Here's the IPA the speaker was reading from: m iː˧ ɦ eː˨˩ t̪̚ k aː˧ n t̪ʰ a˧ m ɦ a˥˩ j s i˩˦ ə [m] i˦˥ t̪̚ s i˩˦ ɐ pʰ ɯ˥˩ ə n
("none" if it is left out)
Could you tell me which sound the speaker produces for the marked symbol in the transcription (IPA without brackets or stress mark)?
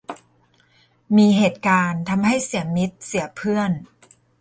m